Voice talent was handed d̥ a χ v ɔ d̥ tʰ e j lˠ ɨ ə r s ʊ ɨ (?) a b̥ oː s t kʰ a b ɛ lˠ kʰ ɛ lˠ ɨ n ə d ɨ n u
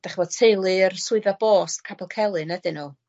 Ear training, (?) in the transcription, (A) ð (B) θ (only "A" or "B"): A